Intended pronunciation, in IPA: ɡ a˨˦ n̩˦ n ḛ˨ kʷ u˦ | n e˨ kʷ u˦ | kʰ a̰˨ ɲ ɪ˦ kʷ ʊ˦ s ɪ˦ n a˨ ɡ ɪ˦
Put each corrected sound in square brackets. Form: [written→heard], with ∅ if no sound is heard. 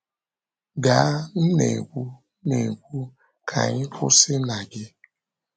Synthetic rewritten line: ɡ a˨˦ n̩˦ n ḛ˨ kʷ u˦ | n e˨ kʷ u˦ | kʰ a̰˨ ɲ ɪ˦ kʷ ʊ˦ s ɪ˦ n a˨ ɡ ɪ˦